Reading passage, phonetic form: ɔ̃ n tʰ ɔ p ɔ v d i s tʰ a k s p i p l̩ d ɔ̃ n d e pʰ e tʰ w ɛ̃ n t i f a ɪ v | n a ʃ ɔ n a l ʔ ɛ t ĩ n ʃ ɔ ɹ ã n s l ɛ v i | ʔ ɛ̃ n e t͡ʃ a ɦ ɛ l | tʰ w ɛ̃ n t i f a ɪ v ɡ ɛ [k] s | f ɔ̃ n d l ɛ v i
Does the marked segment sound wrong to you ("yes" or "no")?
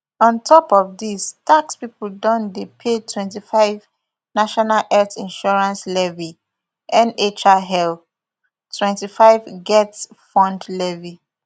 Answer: yes